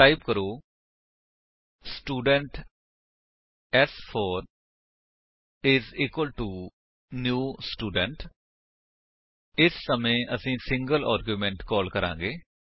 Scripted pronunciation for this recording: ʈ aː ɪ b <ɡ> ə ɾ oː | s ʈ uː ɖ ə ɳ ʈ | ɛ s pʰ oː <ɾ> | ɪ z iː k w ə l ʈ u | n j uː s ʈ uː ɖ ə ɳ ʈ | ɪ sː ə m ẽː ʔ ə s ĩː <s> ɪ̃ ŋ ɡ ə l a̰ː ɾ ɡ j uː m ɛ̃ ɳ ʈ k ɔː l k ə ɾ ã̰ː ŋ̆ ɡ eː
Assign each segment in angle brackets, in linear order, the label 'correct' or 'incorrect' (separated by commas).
incorrect, correct, correct